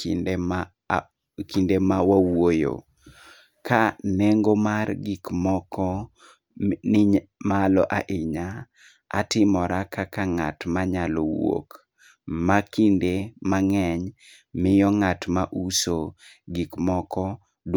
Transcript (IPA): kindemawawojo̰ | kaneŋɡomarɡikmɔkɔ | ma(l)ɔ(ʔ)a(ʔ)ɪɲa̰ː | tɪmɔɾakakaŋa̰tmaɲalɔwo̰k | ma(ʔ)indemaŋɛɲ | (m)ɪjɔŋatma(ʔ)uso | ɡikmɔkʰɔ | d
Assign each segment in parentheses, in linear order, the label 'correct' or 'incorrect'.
correct, correct, correct, incorrect: k, correct, correct

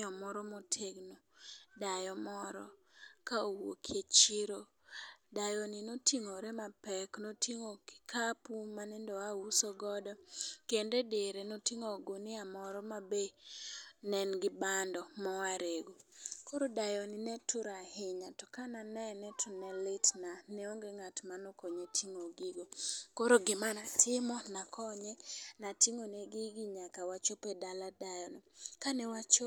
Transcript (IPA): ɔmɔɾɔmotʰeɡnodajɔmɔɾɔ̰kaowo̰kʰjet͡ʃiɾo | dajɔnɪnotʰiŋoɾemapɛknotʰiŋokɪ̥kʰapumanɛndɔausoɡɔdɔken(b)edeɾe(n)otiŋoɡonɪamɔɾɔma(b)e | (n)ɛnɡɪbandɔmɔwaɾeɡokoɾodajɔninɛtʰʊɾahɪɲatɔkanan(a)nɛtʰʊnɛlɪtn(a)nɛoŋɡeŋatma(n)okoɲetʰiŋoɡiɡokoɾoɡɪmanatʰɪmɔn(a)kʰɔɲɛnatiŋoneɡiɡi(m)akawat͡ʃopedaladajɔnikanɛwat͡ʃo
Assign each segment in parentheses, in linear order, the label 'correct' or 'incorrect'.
incorrect: d, correct, correct, correct, incorrect: ɛ, correct, correct, correct, incorrect: ɲ

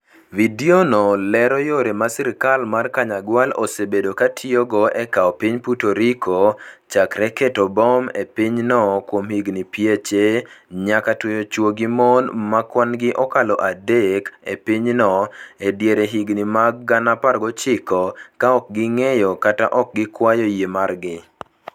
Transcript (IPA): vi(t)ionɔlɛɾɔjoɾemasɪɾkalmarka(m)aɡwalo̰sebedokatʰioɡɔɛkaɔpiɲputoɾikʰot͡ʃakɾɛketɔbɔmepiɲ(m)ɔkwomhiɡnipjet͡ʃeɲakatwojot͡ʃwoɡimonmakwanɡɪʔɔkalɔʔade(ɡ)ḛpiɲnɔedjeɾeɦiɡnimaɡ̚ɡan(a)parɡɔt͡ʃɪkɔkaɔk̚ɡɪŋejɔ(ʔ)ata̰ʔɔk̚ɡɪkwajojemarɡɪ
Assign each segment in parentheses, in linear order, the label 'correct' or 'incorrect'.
incorrect: d, incorrect: ɲ, incorrect: n, incorrect: k, correct, incorrect: k

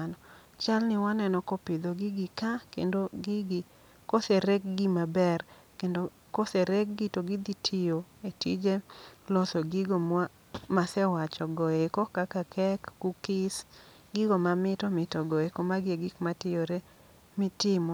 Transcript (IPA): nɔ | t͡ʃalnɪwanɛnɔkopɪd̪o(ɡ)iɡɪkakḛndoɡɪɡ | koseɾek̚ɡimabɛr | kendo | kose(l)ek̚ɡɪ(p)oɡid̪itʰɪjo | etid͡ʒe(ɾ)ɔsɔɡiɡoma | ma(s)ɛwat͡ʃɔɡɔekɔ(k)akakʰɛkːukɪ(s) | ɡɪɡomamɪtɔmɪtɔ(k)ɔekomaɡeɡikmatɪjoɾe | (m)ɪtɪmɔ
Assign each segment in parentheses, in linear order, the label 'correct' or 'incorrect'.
correct, incorrect: ɾ, incorrect: t, incorrect: l, correct, correct, correct, incorrect: ɡ, correct

